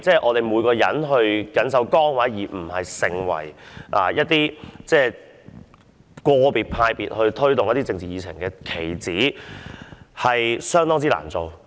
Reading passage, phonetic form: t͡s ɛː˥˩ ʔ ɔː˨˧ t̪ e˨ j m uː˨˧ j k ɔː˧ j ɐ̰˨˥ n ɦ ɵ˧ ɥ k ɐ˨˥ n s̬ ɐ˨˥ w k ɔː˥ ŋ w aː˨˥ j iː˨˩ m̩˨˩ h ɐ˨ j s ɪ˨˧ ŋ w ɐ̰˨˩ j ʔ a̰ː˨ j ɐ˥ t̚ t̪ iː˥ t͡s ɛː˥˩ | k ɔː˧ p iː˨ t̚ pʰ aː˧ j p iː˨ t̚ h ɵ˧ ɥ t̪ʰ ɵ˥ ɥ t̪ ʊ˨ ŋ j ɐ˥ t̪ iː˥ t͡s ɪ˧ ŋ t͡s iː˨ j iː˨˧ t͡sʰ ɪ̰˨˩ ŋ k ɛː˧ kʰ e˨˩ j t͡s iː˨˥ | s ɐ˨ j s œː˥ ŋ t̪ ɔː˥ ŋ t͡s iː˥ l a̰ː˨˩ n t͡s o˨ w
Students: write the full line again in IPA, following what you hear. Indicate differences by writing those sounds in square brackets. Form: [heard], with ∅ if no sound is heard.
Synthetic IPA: t͡s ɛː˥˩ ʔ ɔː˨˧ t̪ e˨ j m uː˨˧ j k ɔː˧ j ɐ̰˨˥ n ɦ ɵ˧ ɥ k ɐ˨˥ n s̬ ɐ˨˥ w k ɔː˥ ŋ w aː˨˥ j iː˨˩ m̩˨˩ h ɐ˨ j s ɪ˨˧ ŋ w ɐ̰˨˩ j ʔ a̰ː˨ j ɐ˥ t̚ t̪ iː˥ t͡s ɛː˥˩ | k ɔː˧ p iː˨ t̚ pʰ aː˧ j p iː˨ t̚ h ɵ˧ ɥ t̪ʰ ɵ˥ ɥ t̪ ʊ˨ ŋ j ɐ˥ t̪ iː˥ t͡s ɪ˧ ŋ t͡s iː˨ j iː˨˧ t͡sʰ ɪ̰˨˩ ŋ k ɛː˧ kʰ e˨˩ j t͡s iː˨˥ | [h] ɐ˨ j s œː˥ ŋ t̪ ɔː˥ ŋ t͡s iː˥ l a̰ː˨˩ n t͡s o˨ w

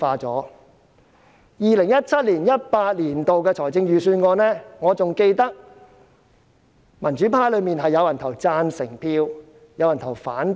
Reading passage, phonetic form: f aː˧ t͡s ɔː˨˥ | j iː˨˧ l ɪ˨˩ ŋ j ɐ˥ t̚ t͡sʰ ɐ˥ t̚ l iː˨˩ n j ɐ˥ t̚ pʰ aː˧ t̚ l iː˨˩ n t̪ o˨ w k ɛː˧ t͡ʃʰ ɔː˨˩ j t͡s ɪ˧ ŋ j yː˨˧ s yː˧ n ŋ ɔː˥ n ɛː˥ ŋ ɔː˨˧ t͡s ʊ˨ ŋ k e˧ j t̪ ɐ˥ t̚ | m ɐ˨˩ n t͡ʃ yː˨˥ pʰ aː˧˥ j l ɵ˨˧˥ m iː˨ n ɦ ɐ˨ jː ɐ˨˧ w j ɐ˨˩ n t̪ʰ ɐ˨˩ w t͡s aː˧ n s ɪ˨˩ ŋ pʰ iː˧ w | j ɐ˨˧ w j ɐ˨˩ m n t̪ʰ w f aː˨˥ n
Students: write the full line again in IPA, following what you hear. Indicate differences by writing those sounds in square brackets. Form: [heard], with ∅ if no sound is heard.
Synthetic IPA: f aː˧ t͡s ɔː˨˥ | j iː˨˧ l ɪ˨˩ ŋ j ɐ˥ t̚ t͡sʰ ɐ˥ t̚ l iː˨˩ n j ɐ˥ t̚ [p] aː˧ t̚ l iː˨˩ n t̪ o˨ w k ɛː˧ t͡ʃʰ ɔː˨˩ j t͡s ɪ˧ ŋ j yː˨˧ s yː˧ n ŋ [ɔː˨˧] n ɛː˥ ŋ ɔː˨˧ t͡s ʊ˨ ŋ k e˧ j t̪ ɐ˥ [k̚] | m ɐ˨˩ n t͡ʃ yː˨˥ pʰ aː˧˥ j l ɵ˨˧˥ m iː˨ n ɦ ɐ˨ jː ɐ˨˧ w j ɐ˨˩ n t̪ʰ ɐ˨˩ w t͡s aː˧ n s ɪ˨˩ ŋ pʰ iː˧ w | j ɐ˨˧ w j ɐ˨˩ [∅] n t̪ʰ w f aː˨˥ n

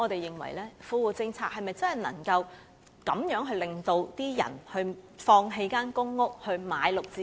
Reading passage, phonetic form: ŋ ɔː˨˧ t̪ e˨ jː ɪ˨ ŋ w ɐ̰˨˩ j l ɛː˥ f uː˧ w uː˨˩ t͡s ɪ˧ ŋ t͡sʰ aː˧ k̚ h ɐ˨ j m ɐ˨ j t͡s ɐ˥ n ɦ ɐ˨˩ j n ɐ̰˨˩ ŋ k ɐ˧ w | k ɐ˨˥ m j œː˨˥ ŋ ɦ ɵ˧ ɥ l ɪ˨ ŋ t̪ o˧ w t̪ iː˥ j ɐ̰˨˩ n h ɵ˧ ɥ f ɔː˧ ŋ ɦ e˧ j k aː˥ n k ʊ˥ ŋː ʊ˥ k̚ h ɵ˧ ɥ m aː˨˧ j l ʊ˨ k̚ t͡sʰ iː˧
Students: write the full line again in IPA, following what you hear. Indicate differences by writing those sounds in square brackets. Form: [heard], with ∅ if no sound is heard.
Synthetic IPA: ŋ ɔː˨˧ t̪ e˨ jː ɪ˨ ŋ w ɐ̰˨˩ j l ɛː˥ f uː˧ w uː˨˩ t͡s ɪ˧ ŋ t͡sʰ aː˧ k̚ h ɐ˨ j m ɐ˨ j t͡s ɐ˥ n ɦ ɐ˨˩ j n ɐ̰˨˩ ŋ k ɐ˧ w | k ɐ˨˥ m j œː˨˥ ŋ ɦ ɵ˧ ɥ l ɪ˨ ŋ t̪ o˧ w t̪ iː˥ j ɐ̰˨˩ n h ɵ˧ ɥ f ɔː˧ ŋ ɦ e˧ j k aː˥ n k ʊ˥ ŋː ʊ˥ k̚ h ɵ˧ ɥ m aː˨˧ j l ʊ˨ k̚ [t͡s] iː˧

